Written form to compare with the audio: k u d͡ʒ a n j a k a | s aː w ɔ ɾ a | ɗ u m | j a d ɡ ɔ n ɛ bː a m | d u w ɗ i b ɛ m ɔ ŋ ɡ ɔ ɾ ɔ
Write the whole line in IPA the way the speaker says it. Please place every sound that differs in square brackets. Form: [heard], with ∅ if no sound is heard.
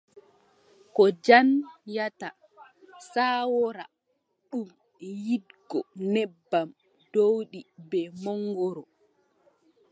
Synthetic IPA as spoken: k [ɔ] d͡ʒ a n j a [t] a | s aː w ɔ ɾ a | ɗ u m | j [i] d ɡ ɔ n ɛ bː a m | d [o] w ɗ i b ɛ m ɔ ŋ ɡ ɔ ɾ ɔ